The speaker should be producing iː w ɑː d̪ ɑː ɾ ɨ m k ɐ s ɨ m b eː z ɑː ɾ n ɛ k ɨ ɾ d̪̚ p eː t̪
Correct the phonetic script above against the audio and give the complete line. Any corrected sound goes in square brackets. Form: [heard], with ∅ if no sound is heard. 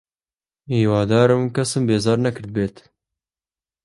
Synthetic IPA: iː w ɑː d̪ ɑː ɾ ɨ m k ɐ s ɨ m b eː z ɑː ɾ n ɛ k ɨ ɾ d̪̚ [b] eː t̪